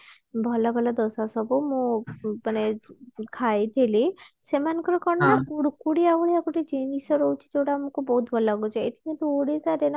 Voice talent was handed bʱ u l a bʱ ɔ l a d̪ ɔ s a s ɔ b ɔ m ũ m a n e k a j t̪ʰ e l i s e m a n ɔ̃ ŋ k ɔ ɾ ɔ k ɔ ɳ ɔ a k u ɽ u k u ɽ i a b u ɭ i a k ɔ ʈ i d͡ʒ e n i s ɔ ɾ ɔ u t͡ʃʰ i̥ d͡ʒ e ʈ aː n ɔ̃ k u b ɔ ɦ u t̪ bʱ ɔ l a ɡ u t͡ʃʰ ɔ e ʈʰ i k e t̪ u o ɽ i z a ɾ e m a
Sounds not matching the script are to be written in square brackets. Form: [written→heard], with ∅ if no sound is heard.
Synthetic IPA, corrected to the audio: bʱ [u→ɔ] l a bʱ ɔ l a d̪ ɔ s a s ɔ b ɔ m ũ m a n e [k→kʰ] a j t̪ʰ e l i s e m a n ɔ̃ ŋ k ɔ ɾ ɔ k ɔ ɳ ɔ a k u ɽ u k u ɽ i a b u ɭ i a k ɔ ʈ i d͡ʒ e n i s ɔ ɾ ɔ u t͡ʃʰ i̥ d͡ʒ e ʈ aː [n→m] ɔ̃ k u b ɔ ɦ u t̪ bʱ ɔ l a ɡ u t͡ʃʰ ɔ e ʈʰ i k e t̪ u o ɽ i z a ɾ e [m→n] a